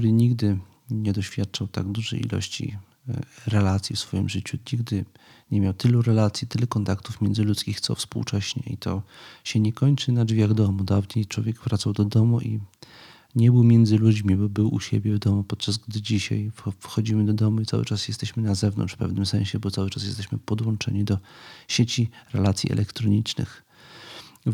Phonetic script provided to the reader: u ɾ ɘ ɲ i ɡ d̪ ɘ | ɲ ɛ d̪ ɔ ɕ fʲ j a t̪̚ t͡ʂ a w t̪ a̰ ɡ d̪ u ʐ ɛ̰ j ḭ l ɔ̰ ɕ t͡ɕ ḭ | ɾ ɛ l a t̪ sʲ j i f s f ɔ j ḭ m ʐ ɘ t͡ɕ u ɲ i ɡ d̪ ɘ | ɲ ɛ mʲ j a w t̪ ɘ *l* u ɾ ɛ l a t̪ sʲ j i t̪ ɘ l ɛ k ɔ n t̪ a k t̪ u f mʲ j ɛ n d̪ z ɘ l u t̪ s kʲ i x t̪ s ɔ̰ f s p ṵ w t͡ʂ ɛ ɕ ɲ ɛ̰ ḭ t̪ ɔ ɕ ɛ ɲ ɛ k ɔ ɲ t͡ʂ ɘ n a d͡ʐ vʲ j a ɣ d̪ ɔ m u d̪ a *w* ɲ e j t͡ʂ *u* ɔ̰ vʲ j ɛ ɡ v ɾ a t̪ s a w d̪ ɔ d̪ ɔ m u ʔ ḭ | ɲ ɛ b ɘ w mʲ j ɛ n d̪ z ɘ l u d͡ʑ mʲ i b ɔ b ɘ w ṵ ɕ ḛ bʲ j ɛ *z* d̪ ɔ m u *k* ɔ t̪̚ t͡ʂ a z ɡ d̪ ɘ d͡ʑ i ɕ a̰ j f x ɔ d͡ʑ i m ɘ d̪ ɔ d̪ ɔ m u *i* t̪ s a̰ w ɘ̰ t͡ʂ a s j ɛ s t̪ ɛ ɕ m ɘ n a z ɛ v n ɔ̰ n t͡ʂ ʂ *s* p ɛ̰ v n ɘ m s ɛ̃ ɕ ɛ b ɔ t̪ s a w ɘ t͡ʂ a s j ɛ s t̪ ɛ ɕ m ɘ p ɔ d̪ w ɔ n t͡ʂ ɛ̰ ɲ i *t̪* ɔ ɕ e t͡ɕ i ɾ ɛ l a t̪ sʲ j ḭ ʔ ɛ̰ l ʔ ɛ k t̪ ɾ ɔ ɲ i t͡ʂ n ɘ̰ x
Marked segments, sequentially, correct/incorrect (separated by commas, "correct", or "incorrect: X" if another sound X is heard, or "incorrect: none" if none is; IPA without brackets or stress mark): correct, incorrect: v, incorrect: w, incorrect: v, incorrect: p, correct, incorrect: f, incorrect: d̪